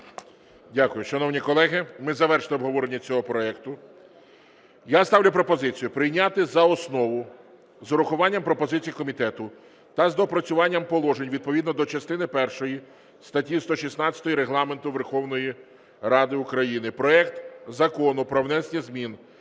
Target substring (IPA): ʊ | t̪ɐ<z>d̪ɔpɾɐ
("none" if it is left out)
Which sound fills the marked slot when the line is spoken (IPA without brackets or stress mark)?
z